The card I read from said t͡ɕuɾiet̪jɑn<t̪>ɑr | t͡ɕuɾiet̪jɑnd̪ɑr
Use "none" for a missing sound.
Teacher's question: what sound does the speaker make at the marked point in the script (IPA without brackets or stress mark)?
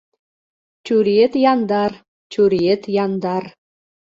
d̪